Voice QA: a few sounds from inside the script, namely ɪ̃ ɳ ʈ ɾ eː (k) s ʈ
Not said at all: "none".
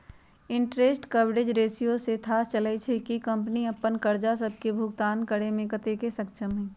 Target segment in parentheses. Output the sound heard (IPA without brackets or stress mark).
none